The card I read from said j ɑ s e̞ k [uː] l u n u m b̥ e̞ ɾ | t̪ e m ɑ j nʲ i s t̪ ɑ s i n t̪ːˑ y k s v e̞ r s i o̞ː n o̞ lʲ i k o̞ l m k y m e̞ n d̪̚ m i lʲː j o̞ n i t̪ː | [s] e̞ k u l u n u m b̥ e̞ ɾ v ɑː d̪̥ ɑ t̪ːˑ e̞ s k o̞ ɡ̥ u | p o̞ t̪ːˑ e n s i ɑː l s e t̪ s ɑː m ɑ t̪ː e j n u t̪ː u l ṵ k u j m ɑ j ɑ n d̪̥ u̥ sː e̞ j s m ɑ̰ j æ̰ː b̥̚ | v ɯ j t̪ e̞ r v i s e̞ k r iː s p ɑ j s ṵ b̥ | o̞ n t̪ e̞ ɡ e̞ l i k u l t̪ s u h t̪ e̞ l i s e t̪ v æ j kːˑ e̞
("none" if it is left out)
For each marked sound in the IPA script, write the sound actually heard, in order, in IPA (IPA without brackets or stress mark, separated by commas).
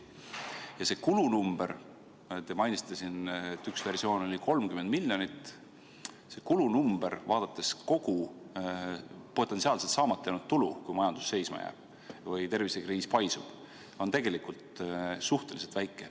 u, s